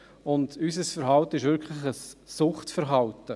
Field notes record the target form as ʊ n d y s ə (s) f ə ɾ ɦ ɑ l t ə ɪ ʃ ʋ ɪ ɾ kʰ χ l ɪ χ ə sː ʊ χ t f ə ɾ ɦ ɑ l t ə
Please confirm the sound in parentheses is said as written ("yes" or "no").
yes